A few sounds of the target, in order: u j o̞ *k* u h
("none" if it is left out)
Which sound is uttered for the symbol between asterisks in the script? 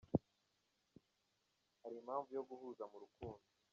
ɡ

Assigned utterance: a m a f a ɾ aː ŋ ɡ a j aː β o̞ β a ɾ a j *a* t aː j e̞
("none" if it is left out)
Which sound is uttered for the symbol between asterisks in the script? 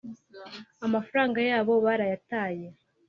a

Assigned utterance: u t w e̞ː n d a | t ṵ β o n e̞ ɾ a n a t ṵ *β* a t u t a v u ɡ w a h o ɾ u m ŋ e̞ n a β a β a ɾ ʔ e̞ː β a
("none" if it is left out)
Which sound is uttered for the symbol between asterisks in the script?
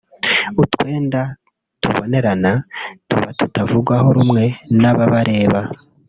β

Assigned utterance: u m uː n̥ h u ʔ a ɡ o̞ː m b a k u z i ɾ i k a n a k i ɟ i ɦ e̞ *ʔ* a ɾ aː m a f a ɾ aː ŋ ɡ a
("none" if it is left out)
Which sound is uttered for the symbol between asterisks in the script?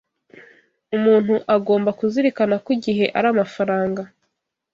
ʔ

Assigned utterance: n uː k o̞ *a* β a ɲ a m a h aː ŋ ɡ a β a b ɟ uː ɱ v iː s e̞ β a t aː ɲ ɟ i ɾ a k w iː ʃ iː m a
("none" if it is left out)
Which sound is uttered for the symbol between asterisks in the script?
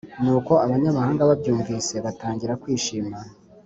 a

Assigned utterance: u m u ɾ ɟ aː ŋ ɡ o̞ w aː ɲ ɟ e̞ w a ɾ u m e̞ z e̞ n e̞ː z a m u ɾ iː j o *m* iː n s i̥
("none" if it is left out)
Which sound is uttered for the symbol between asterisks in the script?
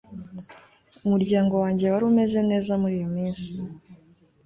m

